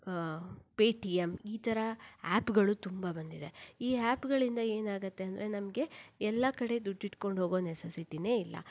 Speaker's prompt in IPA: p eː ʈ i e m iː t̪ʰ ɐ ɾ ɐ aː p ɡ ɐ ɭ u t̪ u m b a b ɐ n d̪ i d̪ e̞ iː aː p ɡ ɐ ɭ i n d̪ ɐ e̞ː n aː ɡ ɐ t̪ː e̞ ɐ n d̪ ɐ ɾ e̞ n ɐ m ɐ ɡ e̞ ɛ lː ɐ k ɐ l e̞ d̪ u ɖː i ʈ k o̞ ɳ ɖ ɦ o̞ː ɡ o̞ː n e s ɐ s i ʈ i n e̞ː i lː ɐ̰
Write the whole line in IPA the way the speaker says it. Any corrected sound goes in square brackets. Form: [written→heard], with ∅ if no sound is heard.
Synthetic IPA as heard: p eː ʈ i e m iː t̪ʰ ɐ ɾ ɐ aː p ɡ ɐ ɭ u t̪ u m b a b ɐ n d̪ i d̪ e̞ iː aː p ɡ ɐ ɭ i n d̪ ɐ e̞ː n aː ɡ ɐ t̪ː e̞ ɐ n d̪ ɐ ɾ e̞ n ɐ m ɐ ɡ e̞ ɛ lː ɐ k ɐ [l→ɽ] e̞ d̪ u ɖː i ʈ k o̞ ɳ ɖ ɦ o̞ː ɡ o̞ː n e s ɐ s i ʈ i n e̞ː i lː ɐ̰